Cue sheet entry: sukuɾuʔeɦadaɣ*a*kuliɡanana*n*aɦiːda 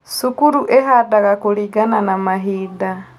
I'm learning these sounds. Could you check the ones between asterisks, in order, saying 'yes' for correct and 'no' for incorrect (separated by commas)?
yes, no